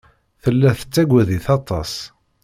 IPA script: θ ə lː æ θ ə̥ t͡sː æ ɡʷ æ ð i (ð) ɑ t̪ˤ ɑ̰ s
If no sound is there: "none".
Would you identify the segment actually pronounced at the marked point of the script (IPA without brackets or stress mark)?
θ